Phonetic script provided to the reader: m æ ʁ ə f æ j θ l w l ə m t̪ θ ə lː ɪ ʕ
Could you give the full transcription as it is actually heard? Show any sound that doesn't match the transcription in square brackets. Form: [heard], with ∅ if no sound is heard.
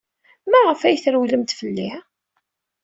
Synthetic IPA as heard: m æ ʁ ə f æ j θ [ɾ] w l ə m t̪ [f] ə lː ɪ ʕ